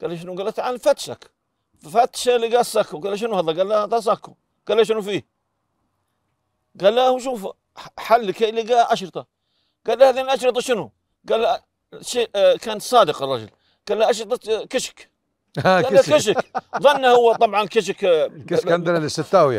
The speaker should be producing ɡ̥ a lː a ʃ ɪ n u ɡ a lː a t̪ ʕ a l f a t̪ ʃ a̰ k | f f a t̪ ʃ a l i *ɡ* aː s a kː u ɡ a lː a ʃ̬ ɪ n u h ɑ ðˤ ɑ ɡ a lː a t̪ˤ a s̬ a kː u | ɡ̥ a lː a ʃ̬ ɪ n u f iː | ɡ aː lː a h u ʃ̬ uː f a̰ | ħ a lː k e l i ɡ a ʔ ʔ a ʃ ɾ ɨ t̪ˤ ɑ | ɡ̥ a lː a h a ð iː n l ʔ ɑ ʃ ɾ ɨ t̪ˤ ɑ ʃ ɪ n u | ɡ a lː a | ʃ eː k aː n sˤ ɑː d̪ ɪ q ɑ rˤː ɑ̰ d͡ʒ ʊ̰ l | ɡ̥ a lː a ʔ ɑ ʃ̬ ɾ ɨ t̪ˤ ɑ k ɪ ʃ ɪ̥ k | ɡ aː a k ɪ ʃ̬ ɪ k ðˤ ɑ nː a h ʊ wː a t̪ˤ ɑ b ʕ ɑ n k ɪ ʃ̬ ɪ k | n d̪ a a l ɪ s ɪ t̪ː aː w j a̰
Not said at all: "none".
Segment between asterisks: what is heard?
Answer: ɡ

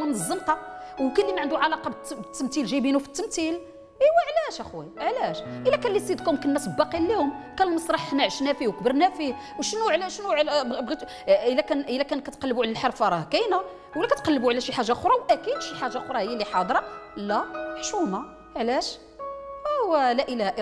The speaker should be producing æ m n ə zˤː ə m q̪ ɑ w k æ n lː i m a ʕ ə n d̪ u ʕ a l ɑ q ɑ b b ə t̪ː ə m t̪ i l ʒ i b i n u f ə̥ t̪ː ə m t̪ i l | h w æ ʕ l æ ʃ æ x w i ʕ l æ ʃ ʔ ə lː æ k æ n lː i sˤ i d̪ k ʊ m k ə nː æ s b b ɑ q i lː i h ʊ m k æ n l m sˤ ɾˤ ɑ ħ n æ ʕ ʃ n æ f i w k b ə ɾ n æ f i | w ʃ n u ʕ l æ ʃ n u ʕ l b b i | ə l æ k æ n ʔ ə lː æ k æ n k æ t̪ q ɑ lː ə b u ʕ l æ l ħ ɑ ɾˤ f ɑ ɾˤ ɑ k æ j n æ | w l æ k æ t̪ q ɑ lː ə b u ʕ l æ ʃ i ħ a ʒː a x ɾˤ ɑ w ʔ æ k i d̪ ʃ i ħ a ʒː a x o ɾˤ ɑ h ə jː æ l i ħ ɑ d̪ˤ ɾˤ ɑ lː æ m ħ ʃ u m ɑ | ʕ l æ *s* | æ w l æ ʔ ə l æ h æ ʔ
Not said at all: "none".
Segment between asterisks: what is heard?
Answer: ʃ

